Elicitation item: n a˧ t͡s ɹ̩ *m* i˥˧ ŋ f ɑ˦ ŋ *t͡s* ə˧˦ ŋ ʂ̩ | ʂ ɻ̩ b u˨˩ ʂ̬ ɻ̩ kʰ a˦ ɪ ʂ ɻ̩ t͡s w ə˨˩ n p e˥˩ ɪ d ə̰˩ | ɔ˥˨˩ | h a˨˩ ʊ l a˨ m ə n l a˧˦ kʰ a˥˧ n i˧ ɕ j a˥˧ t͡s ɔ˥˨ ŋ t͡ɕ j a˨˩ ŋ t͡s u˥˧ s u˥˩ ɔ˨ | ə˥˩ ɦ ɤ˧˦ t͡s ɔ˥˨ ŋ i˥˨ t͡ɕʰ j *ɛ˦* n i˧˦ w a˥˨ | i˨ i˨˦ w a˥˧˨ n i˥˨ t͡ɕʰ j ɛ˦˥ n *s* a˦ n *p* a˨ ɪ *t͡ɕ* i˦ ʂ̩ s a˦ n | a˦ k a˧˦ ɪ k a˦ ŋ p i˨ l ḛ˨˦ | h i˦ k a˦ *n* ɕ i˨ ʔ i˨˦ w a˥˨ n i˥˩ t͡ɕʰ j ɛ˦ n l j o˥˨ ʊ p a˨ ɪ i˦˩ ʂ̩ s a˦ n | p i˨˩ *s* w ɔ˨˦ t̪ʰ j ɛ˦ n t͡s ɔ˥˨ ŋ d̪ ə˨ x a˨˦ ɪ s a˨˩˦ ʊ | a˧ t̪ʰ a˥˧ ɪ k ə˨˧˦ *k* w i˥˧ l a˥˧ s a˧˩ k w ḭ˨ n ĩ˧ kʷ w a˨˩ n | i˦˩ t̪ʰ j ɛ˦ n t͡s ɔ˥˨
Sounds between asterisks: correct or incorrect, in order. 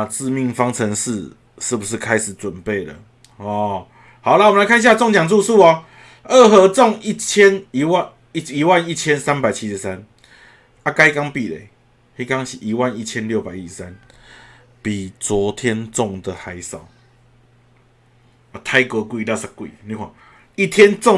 correct, incorrect, correct, correct, correct, incorrect, incorrect, incorrect, correct

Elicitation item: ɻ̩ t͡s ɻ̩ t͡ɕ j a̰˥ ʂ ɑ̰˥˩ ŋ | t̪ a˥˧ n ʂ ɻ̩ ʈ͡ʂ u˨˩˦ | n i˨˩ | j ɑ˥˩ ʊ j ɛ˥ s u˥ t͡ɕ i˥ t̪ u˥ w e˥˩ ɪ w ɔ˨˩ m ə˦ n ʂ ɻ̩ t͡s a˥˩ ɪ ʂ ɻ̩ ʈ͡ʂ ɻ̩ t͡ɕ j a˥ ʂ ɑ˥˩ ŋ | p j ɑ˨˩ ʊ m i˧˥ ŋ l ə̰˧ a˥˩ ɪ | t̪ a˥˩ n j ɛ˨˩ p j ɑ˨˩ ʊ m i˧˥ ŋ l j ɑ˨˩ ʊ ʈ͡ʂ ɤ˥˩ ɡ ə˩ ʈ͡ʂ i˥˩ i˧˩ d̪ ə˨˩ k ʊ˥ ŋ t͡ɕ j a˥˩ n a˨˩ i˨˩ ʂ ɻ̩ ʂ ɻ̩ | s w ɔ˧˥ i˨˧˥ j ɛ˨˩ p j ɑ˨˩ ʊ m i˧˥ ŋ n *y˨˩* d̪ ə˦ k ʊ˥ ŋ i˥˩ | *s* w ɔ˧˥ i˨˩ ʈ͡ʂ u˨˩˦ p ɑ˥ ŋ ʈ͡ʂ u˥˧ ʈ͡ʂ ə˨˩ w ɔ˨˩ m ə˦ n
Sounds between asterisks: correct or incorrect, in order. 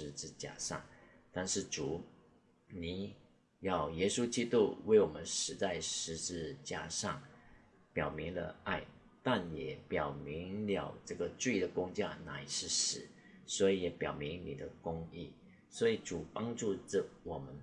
incorrect, correct

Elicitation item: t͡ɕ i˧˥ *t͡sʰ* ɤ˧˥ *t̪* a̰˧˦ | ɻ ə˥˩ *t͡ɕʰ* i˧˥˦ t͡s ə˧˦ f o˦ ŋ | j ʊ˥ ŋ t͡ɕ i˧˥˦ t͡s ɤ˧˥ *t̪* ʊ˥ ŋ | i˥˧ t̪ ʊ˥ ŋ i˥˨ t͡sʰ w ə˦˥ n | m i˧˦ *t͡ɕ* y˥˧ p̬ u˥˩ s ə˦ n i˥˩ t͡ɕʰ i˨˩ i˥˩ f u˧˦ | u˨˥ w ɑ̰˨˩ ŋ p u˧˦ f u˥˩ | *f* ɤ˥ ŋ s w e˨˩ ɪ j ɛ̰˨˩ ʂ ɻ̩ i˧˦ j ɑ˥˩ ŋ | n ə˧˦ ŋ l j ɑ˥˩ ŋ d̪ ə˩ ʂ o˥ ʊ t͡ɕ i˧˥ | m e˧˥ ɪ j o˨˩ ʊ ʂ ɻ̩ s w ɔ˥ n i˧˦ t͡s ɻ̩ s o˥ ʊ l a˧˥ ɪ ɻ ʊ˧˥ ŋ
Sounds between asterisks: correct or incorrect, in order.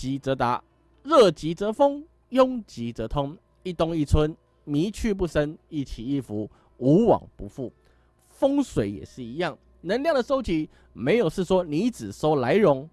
incorrect, correct, incorrect, incorrect, incorrect, correct

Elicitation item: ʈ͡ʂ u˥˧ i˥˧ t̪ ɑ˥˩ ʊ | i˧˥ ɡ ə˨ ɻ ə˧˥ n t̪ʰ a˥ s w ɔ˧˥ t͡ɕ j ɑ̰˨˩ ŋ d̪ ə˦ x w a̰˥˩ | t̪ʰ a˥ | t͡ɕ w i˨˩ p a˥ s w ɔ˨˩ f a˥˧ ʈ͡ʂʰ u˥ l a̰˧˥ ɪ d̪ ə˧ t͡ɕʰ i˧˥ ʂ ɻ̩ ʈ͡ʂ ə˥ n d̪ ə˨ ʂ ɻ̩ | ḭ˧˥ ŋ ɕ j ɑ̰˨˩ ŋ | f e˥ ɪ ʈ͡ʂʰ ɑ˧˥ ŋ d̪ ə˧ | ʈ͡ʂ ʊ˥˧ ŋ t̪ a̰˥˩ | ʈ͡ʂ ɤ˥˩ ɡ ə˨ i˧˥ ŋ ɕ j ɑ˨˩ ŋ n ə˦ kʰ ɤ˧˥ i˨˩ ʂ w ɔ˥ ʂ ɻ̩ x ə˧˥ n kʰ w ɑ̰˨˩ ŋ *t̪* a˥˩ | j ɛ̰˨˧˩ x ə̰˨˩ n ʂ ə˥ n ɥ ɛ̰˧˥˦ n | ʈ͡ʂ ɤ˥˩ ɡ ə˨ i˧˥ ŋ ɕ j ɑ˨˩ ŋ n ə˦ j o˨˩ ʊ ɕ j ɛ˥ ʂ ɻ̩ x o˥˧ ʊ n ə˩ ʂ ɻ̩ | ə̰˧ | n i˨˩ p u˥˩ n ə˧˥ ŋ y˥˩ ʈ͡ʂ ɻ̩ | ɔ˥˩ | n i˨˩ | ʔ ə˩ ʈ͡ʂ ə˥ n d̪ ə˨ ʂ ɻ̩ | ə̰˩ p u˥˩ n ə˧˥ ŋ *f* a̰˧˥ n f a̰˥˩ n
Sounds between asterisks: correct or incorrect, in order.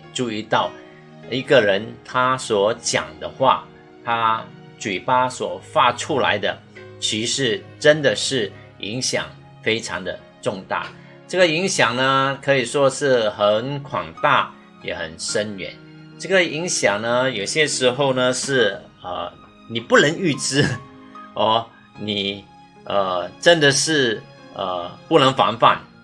correct, correct

